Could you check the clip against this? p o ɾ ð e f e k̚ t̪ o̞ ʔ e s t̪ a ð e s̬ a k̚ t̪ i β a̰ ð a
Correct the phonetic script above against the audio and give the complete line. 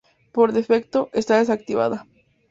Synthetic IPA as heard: p o ɾ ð e f e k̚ t̪ o̞ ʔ e s t̪ a ð e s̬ a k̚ t̪ i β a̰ ð a